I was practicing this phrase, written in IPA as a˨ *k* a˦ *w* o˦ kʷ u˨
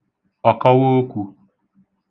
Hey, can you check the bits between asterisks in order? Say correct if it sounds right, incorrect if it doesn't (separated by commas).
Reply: correct, correct